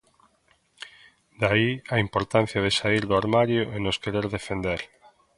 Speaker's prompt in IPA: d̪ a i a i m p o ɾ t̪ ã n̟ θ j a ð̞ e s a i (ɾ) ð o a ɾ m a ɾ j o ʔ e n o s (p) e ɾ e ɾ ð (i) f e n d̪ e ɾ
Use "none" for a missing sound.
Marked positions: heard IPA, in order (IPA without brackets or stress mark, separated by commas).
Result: ɾ, k, e